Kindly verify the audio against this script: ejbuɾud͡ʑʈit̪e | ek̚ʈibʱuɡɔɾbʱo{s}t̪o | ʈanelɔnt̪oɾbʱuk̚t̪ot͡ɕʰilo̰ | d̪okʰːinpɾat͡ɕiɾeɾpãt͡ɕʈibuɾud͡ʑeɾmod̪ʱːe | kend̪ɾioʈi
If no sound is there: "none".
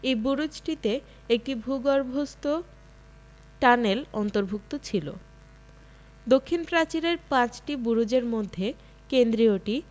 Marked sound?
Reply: s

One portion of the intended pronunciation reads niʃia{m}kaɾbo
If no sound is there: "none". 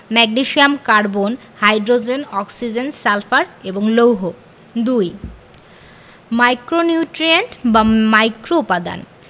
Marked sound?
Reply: m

